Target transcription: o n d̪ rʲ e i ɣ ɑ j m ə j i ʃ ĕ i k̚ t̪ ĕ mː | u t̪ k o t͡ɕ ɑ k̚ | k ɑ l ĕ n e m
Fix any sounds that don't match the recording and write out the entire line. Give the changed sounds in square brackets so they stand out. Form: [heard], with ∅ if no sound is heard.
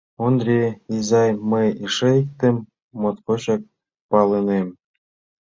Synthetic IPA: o n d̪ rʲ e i [z] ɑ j m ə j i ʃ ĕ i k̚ t̪ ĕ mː | [o] t̪ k o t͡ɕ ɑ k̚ | [p] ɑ l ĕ n e m